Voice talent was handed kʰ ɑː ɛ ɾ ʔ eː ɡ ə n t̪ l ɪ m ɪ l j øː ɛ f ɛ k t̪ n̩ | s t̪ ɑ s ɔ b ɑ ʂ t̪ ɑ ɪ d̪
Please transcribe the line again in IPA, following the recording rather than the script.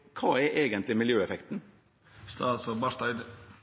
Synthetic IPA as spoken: kʰ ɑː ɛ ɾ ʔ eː ɡ ə n t̪ l ɪ m ɪ l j øː ɛ f ɛ k t̪ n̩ | s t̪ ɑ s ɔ b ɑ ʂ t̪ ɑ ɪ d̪